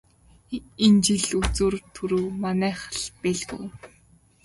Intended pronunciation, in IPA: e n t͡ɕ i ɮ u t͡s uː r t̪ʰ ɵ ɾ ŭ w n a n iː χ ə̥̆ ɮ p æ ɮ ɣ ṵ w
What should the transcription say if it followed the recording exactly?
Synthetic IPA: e n t͡ɕ i ɮ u t͡s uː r t̪ʰ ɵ ɾ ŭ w m a n æː χ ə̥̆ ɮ p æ ɮ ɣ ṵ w